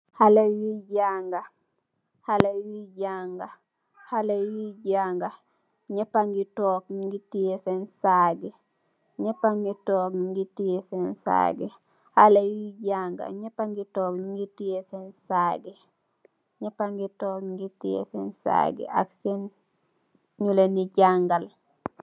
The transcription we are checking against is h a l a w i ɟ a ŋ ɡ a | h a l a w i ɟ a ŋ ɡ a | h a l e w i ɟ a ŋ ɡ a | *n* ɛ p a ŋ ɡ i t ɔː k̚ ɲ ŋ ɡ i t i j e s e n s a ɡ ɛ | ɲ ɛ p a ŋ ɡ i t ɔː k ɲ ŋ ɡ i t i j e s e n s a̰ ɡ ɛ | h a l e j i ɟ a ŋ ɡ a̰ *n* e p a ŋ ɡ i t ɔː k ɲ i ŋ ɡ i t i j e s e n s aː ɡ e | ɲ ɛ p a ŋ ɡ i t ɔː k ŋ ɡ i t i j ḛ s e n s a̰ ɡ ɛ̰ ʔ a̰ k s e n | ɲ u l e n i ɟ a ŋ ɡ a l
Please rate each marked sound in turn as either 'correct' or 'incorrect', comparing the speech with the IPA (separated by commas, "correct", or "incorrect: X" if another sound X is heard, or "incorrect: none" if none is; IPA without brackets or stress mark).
incorrect: ɲ, incorrect: ɲ